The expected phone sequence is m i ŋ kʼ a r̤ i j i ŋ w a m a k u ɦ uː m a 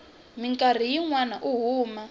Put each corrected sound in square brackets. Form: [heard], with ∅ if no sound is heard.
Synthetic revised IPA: m i ŋ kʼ a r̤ i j i ŋ w a [n] a [ʔ] u ɦ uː m a